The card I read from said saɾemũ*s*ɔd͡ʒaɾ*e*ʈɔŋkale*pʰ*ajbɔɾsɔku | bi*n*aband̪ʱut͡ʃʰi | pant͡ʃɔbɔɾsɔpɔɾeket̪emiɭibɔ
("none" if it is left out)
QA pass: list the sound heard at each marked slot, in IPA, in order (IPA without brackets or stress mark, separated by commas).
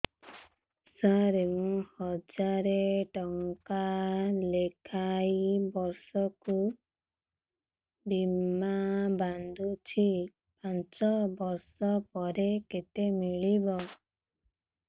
h, e, kʰ, m